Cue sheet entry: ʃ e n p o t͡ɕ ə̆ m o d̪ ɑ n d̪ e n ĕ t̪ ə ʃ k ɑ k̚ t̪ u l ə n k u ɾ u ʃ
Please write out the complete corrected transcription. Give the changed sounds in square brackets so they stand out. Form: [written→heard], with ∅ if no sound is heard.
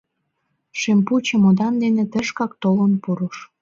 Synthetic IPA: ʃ e [n→m] p [o→u] t͡ɕ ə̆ m o d̪ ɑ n d̪ e n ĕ t̪ ə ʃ k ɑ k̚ t̪ [u→o] l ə n [k→p] u ɾ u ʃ